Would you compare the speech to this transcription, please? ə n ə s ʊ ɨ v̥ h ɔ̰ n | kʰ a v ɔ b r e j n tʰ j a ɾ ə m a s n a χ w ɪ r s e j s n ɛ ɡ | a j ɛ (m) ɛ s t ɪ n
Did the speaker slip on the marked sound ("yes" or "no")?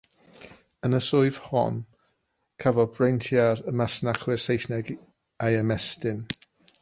no